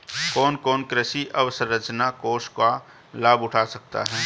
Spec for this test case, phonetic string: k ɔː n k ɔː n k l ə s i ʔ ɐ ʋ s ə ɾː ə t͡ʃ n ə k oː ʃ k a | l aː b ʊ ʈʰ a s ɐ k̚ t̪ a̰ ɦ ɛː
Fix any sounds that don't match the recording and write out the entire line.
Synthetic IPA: k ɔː n k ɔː n k ɾ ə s i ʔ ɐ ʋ s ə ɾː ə t͡ʃ n a k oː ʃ k a | l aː b ʊ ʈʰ a s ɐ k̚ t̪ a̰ ɦ ɛː